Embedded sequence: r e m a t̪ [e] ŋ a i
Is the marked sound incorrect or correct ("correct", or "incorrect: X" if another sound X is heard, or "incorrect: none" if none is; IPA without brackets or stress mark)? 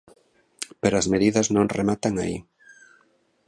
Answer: incorrect: a